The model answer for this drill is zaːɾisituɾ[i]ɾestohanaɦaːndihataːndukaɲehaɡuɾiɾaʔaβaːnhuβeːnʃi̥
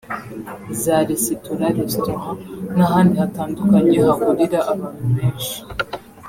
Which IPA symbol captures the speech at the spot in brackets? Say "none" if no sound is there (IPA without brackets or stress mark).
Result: a